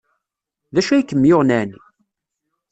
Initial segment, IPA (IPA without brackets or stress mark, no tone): ð